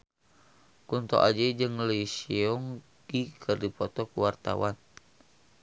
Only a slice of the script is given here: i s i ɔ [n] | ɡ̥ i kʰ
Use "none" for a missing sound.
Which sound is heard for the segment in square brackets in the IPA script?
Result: ŋ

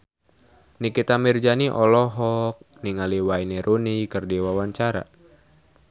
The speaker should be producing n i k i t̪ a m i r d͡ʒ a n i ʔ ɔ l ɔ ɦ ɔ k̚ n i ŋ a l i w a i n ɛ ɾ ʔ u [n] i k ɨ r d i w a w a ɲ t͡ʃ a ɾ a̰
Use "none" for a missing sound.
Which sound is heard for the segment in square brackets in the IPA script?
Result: n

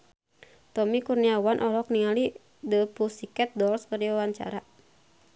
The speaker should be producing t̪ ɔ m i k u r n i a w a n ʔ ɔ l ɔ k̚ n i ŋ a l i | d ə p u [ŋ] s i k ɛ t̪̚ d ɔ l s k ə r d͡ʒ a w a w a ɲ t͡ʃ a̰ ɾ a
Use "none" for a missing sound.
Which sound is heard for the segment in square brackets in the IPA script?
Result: none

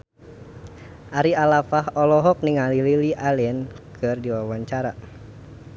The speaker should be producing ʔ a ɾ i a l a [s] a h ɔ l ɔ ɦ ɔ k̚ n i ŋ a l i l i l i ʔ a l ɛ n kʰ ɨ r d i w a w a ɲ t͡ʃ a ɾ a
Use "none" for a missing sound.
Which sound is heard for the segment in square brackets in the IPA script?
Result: f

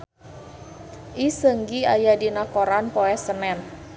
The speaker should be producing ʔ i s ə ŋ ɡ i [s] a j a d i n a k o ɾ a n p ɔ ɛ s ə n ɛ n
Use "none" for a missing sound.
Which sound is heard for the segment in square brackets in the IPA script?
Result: none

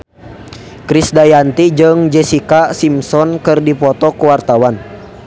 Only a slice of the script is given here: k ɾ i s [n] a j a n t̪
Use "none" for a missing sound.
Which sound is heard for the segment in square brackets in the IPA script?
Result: d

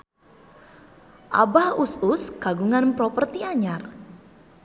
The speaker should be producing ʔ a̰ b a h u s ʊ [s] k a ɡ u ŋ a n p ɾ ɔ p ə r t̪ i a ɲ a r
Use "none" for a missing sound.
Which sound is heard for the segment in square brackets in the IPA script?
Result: s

